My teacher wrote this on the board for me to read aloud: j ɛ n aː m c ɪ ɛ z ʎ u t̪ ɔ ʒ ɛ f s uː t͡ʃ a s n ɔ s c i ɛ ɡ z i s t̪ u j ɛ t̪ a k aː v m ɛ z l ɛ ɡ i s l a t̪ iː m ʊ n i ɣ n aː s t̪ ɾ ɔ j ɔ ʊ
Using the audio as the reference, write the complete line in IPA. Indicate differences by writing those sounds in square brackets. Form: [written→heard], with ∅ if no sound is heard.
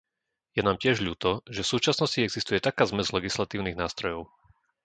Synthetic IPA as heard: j ɛ n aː m c ɪ ɛ [z→ʒ] ʎ [u→uː] t̪ ɔ ʒ ɛ f s uː t͡ʃ a s n ɔ s c i ɛ ɡ z i s t̪ u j ɛ t̪ a k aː [v→z] m ɛ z l ɛ ɡ i s l a t̪ iː [m→∅] ʊ n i ɣ n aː s t̪ ɾ ɔ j ɔ ʊ